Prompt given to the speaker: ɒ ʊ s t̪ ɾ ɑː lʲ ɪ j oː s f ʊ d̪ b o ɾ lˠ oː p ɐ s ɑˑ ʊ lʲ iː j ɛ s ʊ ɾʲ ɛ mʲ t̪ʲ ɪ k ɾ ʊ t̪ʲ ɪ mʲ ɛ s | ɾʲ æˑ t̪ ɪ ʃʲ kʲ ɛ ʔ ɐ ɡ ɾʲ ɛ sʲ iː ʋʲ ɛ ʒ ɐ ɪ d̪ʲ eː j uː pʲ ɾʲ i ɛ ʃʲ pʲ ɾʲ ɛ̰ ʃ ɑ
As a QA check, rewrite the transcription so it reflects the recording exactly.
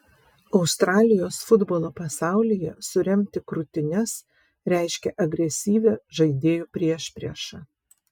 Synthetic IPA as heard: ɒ ʊ s t̪ ɾ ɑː lʲ ɪ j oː s f ʊ d̪ b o lˠ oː p ɐ s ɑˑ ʊ lʲ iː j ɛ s ʊ ɾʲ ɛ mʲ t̪ʲ ɪ k ɾ ʊ t̪ʲ ɪ nʲ ɛ s | ɾʲ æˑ ɪ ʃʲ kʲ ɛ ʔ ɐ ɡ ɾʲ ɛ sʲ iː ʋʲ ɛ ʒ ɐ ɪ d̪ʲ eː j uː pʲ ɾʲ i ɛ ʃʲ pʲ ɾʲ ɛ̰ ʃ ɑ